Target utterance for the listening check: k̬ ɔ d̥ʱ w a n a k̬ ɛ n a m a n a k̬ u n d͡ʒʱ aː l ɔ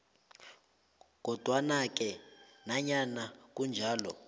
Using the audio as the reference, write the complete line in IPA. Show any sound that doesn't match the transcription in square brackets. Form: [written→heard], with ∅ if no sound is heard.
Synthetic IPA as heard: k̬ ɔ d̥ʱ w a n a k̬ ɛ n a [m→ɲ] a n a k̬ u n d͡ʒʱ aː l ɔ